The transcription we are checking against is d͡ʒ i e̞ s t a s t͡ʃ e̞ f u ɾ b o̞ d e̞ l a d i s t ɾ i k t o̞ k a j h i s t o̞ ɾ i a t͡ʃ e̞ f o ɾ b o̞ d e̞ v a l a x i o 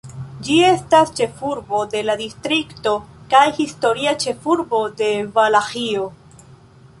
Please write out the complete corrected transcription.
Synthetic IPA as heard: d͡ʒ i e̞ s t a s t͡ʃ e̞ f u ɾ b o̞ d e̞ l a d i s t ɾ i k t o̞ k a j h i s t o̞ ɾ i a t͡ʃ e̞ f u ɾ b o̞ d e̞ v a l a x i o